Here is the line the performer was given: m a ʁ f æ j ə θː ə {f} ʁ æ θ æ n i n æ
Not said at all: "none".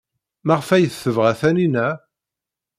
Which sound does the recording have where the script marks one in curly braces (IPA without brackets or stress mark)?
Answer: v